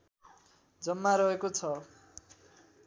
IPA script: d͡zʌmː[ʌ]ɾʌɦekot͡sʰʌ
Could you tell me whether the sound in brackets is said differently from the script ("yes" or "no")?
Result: yes